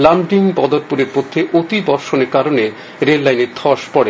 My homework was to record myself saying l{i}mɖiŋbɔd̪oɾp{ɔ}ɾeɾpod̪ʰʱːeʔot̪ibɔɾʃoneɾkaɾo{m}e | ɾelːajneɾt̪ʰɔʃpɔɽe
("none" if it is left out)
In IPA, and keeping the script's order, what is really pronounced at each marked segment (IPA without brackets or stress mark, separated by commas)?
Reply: a, u, n